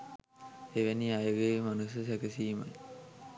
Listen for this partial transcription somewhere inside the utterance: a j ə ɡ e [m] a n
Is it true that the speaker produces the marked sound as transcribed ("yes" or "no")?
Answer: yes